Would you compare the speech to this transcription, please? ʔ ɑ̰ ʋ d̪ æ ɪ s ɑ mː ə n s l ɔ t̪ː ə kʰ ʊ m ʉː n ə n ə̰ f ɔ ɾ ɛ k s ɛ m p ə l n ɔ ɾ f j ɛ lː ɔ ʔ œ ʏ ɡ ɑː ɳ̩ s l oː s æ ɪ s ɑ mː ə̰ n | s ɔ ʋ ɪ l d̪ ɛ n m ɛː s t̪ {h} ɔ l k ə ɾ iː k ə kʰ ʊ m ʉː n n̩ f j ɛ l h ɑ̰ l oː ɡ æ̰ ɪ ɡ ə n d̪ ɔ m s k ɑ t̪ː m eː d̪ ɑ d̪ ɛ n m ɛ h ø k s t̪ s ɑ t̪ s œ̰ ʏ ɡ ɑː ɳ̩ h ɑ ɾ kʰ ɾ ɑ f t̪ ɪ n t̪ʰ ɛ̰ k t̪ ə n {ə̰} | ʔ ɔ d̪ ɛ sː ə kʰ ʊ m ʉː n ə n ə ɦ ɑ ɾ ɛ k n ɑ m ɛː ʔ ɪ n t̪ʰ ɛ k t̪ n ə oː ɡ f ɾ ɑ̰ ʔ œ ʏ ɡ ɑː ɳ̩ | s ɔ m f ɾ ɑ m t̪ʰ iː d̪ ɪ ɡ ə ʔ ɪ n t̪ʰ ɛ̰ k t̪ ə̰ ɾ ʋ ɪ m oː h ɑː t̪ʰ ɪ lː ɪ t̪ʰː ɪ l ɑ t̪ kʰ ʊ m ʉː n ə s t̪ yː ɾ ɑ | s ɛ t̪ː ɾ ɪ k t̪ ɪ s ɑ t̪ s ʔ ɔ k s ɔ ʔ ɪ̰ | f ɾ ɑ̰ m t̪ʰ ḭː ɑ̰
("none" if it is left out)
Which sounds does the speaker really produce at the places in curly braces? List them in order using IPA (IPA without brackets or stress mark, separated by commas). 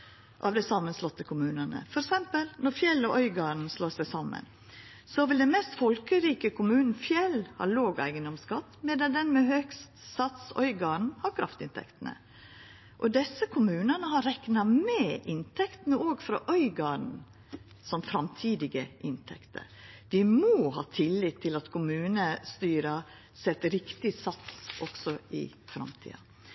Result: f, ə̰